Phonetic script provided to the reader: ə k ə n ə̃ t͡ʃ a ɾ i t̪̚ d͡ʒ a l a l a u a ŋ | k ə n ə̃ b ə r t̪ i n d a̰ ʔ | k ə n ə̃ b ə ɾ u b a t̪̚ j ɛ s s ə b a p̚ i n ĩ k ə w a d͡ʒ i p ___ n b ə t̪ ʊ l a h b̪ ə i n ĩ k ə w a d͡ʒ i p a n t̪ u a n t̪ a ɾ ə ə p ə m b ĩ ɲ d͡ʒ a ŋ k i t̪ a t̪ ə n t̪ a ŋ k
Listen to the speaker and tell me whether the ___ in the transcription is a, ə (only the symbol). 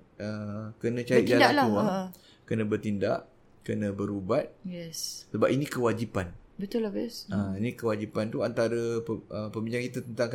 a